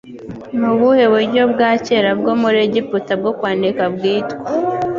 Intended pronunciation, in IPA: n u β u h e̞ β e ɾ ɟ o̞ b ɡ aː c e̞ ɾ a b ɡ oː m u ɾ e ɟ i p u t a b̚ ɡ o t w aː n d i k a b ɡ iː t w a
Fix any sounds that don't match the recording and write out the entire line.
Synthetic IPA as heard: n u β u h e̞ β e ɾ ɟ o̞ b ɡ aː c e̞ ɾ a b ɡ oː m u ɾ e ɟ i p u t a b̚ ɡ o k w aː n d i k a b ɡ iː t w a